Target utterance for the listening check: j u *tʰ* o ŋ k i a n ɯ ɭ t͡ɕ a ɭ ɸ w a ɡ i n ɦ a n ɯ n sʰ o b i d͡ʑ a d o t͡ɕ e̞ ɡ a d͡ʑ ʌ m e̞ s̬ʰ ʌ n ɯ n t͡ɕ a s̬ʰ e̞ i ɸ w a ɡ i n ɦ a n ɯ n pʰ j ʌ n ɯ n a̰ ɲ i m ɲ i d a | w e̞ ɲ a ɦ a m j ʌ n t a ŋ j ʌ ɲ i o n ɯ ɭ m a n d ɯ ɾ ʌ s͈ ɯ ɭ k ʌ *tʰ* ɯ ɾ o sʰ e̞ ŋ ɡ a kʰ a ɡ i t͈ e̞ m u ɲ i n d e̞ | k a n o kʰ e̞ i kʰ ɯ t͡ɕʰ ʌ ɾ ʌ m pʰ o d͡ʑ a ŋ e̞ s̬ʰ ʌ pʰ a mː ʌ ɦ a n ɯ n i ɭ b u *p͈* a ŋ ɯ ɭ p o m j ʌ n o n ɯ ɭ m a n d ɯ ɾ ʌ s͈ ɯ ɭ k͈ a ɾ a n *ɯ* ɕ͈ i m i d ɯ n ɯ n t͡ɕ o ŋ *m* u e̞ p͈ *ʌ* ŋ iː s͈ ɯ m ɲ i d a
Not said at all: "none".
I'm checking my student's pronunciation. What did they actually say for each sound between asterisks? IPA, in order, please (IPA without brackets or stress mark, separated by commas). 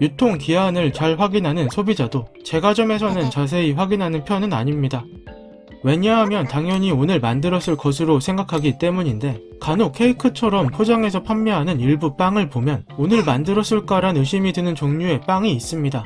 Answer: tʰ, sʰ, p͈, ɯ, ɲ, a